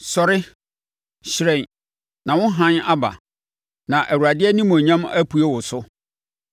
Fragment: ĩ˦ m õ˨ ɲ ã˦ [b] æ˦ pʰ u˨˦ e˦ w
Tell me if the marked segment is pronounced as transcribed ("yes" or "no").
no